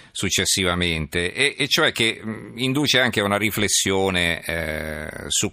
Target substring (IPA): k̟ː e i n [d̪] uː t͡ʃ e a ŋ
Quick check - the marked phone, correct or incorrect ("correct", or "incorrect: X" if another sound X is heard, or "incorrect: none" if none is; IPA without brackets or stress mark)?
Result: correct